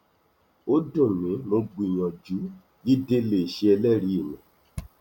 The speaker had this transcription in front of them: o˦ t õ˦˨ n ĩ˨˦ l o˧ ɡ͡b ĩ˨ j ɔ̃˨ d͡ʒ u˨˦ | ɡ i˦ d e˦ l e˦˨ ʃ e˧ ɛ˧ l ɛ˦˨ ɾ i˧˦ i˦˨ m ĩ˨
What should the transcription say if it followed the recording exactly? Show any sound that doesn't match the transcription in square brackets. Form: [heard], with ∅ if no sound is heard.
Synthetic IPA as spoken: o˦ [d] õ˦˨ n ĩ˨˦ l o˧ ɡ͡b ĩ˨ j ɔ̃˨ d͡ʒ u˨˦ | ɡ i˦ d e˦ l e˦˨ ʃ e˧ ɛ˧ l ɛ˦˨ ɾ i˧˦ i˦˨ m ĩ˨

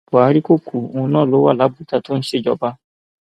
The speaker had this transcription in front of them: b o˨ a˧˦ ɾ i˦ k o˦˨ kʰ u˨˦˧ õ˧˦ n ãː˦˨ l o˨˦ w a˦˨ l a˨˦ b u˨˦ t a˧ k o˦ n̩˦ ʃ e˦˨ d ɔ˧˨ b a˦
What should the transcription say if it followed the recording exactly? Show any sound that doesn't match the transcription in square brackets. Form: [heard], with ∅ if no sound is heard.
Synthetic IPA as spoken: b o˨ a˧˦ ɾ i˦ k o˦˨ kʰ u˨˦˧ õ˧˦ n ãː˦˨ l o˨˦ w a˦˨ l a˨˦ b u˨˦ t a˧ [t] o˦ n̩˦ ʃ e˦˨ [d͡ʒ] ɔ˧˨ b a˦

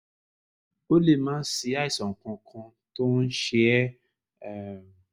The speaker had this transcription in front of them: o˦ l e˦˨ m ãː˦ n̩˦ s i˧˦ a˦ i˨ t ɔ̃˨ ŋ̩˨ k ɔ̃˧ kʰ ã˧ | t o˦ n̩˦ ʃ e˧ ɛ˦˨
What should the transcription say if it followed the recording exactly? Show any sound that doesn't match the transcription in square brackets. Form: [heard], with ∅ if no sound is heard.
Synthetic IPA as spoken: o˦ l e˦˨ m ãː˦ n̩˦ s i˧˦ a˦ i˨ [s] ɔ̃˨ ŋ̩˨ k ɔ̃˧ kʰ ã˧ | t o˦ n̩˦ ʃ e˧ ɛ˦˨

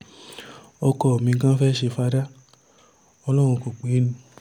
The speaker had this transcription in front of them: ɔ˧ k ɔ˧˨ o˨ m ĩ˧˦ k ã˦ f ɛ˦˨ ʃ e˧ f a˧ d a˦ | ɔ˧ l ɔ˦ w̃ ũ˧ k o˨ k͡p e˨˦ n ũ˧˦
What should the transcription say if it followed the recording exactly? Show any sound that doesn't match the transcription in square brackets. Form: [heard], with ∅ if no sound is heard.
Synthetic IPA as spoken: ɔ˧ k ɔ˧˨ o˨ m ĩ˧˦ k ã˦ f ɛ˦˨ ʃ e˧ f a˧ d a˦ | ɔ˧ l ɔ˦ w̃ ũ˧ k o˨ k͡p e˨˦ n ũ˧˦

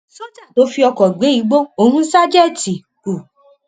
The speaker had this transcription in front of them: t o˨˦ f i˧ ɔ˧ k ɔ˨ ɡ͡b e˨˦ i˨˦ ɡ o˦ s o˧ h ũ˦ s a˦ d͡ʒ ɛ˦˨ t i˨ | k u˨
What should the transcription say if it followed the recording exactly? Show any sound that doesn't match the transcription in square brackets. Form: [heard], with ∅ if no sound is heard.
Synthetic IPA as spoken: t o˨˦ f i˧ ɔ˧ k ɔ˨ ɡ͡b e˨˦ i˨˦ [ɡ͡b] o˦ [∅] o˧ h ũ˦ s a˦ d͡ʒ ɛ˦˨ t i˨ | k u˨

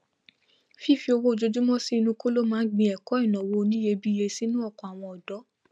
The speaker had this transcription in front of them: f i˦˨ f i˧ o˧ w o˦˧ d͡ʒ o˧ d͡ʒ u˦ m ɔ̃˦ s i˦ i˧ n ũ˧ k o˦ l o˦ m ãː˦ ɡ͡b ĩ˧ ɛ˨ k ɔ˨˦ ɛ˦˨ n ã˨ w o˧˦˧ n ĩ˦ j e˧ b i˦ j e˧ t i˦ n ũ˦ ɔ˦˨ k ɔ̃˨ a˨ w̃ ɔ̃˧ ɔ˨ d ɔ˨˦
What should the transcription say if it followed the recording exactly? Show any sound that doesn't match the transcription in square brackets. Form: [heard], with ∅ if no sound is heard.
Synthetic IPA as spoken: f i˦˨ f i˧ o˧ w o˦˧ d͡ʒ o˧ d͡ʒ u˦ m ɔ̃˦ s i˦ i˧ n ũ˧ k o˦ l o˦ m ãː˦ ɡ͡b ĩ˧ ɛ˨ k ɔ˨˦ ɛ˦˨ n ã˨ w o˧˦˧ n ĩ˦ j e˧ b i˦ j e˧ [s] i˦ n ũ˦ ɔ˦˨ k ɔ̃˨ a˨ w̃ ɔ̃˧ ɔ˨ d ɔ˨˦

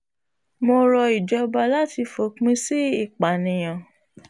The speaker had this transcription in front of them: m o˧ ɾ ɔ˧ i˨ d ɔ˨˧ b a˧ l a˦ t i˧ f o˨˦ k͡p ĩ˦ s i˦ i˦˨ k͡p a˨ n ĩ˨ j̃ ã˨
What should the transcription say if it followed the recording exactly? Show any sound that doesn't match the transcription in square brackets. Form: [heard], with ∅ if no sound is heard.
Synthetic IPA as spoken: m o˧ ɾ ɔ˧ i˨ [d͡ʒ] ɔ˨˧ b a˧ l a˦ t i˧ f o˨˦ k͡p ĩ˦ s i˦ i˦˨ k͡p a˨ n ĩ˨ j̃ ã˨

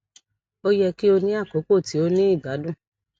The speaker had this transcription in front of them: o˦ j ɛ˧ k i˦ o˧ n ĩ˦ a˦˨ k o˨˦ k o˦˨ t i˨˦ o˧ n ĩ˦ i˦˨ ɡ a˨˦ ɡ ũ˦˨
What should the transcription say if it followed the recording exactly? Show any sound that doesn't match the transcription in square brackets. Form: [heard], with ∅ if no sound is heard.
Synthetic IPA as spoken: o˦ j ɛ˧ k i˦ o˧ n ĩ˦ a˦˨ k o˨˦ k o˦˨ t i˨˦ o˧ n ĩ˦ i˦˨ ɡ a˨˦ [d] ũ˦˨

